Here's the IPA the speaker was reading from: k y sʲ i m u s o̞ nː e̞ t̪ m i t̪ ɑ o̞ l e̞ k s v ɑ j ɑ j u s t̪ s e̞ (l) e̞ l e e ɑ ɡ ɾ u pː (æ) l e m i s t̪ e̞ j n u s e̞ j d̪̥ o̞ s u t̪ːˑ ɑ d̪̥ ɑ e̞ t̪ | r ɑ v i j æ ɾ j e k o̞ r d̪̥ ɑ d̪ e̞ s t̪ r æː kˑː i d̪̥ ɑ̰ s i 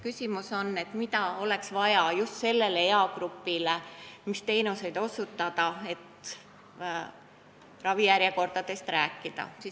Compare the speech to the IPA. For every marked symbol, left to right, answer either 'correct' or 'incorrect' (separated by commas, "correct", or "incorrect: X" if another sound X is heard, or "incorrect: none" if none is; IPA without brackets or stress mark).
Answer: incorrect: lː, incorrect: i